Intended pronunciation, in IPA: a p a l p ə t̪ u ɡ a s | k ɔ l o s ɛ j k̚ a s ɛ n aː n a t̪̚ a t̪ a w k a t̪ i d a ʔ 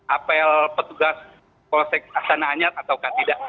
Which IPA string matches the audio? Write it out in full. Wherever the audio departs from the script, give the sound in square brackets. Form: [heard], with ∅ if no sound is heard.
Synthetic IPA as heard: a p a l p ə t̪ u ɡ a s | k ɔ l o s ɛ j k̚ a s [a] n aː [ɲ] a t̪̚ a t̪ a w k a t̪ i d a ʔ